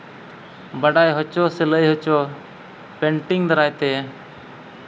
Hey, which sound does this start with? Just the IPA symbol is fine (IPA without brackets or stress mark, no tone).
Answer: b